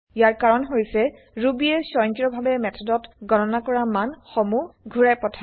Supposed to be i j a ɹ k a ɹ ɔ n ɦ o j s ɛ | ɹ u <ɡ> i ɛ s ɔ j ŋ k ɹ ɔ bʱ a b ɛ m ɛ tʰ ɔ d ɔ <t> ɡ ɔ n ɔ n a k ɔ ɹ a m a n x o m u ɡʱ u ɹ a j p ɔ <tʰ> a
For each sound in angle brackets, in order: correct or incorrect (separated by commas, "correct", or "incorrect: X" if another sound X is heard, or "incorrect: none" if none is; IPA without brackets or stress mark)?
incorrect: b, correct, correct